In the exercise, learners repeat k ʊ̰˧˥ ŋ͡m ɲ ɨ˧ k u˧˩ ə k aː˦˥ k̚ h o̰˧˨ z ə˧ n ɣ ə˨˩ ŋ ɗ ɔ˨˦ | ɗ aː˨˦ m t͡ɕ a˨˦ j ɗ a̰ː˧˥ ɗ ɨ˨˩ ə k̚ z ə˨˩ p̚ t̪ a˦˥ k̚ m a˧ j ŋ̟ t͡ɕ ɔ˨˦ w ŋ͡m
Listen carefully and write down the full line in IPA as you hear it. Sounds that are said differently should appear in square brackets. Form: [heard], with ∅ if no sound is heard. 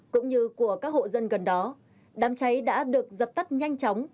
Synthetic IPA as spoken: k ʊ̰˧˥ ŋ͡m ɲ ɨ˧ k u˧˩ ə k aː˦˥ k̚ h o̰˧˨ z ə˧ n ɣ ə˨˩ [n] ɗ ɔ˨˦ | ɗ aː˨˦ m t͡ɕ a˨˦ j ɗ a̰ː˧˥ ɗ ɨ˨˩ ə k̚ z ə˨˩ p̚ t̪ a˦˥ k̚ [ɲ] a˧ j ŋ̟ t͡ɕ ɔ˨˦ w ŋ͡m